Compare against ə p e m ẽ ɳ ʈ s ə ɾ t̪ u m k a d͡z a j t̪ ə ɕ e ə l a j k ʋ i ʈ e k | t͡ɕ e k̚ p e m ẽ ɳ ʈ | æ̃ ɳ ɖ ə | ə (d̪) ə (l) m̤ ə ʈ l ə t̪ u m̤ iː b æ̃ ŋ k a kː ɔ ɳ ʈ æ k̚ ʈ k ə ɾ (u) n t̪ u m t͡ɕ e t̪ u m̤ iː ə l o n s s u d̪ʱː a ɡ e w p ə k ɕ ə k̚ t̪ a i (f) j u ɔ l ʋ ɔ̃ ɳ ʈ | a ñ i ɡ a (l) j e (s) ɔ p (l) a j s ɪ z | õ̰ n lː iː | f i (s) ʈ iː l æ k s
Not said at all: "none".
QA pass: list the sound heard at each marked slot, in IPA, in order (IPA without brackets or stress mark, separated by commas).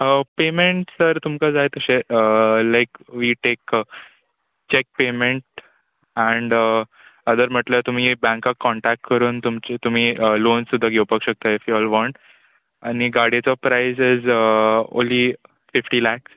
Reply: d̪, ɾ, uː, f, ɽ, t͡s, ɾ, f